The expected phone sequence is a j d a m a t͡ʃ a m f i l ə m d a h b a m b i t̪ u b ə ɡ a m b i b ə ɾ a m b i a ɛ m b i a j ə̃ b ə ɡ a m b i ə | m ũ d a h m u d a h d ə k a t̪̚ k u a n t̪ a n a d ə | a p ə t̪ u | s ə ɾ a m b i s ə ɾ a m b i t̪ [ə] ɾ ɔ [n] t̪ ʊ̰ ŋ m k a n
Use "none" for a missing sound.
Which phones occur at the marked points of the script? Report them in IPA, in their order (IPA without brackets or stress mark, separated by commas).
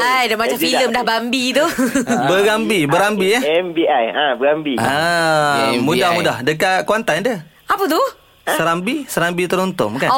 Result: ə, n